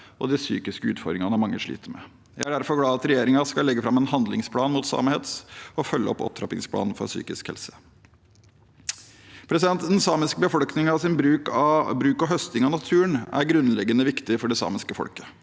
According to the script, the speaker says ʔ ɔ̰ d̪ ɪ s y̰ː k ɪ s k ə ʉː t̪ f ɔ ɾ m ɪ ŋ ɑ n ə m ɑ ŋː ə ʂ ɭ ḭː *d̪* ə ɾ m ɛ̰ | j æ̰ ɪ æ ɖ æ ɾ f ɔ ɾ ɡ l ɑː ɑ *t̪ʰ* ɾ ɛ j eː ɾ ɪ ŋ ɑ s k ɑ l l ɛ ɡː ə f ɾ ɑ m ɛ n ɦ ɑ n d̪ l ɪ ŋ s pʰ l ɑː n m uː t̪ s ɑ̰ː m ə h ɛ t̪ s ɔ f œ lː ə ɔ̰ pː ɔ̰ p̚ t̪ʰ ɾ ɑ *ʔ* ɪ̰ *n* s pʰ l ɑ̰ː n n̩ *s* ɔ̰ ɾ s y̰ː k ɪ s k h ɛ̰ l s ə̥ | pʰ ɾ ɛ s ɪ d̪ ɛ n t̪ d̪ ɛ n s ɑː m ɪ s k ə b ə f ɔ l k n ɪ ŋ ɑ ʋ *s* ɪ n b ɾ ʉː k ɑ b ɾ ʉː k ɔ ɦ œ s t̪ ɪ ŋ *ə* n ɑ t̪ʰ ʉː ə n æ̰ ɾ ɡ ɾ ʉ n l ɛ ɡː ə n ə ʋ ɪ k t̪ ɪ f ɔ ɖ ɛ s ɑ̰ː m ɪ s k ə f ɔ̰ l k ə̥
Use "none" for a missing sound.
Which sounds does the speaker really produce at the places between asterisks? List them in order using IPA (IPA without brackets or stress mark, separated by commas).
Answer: t̪, t̪, p, ŋ, f, s, ɑ